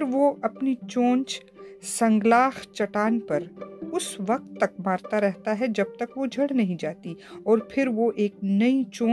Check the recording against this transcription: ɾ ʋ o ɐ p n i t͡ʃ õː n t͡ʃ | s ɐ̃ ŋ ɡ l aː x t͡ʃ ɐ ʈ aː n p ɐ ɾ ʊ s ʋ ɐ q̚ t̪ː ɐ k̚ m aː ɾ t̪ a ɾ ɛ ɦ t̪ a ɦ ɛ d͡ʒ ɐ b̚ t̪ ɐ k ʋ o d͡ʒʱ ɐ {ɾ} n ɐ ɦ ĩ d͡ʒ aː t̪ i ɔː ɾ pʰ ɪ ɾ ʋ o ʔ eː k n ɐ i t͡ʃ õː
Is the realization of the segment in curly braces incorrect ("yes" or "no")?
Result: yes